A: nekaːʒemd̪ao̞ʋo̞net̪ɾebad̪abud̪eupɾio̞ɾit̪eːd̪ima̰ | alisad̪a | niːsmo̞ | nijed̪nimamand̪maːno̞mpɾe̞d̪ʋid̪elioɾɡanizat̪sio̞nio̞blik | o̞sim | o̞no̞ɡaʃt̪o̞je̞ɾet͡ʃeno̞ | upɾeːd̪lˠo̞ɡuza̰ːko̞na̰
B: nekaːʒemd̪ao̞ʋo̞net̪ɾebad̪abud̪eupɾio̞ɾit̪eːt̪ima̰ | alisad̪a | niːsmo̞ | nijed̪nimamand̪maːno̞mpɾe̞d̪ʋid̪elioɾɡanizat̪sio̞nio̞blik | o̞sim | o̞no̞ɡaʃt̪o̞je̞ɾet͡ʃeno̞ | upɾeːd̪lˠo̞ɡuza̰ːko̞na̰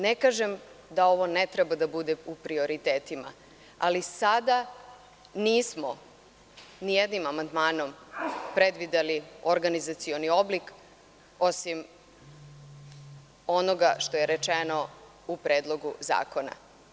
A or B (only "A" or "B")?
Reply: B